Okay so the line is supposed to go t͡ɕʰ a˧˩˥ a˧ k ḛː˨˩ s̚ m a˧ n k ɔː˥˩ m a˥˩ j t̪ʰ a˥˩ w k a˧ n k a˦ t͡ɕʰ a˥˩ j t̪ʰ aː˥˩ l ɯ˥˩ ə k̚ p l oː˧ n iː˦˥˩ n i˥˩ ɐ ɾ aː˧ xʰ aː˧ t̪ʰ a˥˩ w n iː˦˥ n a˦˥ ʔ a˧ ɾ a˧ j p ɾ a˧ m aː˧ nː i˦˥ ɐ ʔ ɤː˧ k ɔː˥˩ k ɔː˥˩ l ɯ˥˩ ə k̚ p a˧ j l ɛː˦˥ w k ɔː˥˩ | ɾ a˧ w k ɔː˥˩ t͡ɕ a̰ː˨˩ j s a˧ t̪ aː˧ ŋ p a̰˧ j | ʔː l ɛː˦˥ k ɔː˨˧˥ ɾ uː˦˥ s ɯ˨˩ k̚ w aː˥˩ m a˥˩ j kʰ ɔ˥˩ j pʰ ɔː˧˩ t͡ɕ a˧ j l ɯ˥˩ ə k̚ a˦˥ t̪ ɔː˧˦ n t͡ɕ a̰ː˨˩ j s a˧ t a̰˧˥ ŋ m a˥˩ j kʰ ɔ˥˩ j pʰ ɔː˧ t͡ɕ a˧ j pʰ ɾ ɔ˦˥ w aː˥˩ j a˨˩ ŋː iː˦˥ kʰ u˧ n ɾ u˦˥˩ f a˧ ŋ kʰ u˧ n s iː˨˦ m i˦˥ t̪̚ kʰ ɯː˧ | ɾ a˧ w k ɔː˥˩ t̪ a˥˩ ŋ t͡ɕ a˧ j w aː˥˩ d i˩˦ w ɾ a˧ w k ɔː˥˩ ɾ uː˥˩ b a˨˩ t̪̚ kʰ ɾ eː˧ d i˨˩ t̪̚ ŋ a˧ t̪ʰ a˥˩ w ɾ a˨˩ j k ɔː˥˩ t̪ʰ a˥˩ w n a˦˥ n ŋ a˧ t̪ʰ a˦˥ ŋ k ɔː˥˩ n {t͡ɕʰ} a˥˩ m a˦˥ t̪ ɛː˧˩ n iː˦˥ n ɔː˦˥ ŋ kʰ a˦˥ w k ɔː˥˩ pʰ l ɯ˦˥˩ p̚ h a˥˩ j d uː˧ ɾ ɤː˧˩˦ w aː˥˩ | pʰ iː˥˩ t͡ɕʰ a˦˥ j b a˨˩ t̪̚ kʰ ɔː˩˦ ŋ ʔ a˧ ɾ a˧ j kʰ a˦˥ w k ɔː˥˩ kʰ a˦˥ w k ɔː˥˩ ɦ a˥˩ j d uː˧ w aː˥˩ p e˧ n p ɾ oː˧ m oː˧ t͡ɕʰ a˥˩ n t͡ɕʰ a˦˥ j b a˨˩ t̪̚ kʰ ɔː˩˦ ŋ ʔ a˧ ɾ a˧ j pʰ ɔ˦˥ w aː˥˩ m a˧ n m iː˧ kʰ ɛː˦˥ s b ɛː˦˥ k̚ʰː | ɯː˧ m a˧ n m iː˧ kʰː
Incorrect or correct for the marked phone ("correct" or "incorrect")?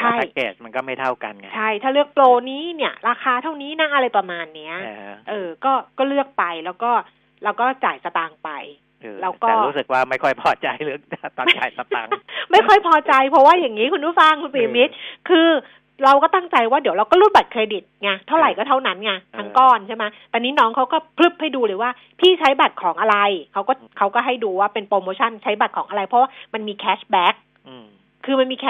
correct